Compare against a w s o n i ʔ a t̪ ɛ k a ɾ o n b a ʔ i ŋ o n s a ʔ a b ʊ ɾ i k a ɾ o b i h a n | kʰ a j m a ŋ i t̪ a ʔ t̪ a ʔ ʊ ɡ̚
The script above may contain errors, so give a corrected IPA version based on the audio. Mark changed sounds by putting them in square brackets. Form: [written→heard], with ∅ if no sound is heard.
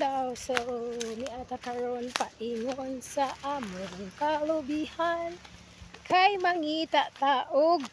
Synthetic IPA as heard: a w s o n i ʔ a t̪ [ɛ→a] k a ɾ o n [b→p] a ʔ i ŋ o n s a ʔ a [b→m] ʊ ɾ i k a [ɾ→l] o b i h a n | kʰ a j m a ŋ i t̪ a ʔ t̪ a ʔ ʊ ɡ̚